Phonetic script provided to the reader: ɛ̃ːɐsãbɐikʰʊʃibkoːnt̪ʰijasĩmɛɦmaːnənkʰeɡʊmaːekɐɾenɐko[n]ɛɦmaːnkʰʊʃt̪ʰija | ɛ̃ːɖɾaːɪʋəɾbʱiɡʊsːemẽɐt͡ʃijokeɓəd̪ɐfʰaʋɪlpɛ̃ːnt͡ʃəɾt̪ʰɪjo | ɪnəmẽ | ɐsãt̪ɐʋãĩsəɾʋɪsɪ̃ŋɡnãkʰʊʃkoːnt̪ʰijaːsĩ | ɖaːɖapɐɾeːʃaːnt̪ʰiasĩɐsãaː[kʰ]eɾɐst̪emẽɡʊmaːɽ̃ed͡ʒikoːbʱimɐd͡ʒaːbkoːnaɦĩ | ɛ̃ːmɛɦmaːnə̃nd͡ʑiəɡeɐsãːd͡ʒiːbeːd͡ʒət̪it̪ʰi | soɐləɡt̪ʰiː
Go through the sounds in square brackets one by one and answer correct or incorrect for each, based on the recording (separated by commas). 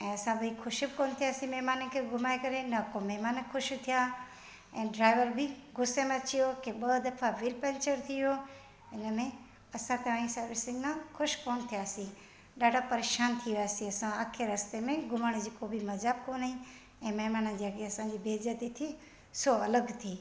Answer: incorrect, correct